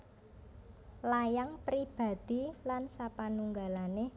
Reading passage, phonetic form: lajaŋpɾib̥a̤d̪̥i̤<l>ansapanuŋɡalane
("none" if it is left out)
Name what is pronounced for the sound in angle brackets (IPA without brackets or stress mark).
l